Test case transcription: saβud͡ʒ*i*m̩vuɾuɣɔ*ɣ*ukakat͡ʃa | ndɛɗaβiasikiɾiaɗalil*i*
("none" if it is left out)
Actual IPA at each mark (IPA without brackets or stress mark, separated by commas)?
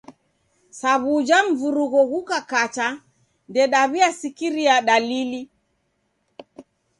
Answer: a, ɣ, i